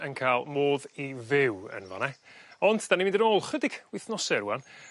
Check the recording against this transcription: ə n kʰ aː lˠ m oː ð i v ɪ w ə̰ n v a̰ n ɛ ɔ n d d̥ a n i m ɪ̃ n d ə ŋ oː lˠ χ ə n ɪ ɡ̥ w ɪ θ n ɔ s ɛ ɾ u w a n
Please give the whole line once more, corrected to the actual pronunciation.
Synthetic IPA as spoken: ə n kʰ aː lˠ m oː ð i v ɪ w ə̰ n v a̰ n ɛ ɔ n d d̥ a n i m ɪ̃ n d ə n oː lˠ χ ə d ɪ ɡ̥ w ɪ θ n ɔ s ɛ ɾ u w a n

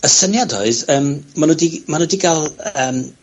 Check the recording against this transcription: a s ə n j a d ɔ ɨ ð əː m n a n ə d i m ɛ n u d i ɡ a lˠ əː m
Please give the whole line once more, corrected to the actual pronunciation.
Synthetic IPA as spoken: ə s ə n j a d ɔ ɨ ð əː m m a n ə d i m a n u d i ɡ a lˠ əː m

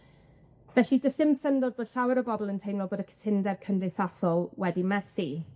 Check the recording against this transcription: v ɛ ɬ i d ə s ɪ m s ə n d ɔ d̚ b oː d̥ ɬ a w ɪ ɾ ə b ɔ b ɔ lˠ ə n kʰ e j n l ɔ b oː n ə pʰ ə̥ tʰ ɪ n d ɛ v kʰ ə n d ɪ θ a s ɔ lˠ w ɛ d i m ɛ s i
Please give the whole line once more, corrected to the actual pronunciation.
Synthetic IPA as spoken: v ɛ ɬ i d ə s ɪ m s ə n d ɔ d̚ b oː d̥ ɬ a w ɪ ɾ ə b ɔ b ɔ lˠ ə n tʰ e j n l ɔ b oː d ə kʰ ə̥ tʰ ɪ n d ɛ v kʰ ə n d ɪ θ a s ɔ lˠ w ɛ d i m ɛ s i

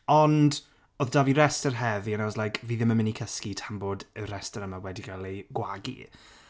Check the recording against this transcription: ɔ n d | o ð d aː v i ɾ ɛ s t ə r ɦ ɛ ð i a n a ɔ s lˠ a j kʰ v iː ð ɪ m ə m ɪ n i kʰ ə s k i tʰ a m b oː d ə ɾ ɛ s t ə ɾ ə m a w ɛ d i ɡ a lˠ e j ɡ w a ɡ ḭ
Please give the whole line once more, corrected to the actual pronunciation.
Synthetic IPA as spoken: ɔ n d | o ð d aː v i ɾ ɛ s t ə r ɦ ɛ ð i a n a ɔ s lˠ a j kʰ v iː ð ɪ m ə m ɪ n i kʰ ə s k i tʰ a m b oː d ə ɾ ɛ s t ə ɾ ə m a w ɛ d i ɡ a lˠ e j ɡ w a ɡ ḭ

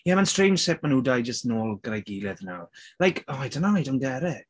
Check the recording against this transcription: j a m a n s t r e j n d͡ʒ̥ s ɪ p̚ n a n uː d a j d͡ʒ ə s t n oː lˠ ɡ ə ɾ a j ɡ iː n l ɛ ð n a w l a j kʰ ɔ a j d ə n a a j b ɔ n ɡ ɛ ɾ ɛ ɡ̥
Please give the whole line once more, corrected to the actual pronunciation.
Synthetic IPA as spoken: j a m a n s t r e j n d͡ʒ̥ s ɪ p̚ m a n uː d a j d͡ʒ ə s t n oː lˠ ɡ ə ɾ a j ɡ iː l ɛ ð n a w l a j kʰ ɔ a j d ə n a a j d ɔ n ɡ ɛ ɾ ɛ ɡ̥

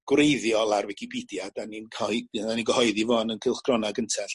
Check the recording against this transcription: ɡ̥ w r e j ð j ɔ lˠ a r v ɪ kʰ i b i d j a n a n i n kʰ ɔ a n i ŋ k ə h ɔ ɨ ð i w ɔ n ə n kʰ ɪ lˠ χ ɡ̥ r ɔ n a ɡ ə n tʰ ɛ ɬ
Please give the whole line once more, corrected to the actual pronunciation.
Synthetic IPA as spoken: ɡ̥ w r e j ð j ɔ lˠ a r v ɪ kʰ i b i d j a d a n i n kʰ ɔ a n i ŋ ɡ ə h ɔ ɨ ð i v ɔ n ə n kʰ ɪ lˠ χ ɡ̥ r ɔ n a ɡ ə n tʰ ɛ ɬ

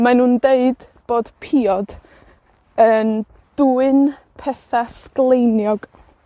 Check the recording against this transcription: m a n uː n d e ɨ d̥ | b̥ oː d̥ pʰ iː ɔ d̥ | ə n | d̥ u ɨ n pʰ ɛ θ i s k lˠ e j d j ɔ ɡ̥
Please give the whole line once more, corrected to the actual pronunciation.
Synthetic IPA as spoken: m a n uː n d e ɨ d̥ | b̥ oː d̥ pʰ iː ɔ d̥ | ə n | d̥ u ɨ n pʰ ɛ θ a s k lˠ e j n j ɔ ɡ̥

